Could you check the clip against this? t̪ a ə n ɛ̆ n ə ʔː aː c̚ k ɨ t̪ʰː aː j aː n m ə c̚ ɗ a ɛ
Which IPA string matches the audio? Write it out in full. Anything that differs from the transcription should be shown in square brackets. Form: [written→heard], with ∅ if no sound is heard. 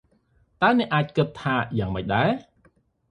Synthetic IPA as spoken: t̪ a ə n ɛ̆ [n→∅] ə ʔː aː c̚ k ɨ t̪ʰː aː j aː [n→ŋ] m ə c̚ ɗ a ɛ